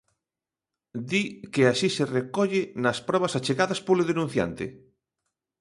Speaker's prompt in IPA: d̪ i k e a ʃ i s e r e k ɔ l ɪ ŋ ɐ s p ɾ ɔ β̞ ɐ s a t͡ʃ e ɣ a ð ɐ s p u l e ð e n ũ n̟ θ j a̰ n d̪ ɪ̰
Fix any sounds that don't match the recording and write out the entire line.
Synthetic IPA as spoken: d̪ i k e a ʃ i s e r e k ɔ ʎ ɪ n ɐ s p ɾ ɔ β̞ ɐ s a t͡ʃ e ɣ a ð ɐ s p o l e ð e n ũ n̟ θ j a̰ n t̪ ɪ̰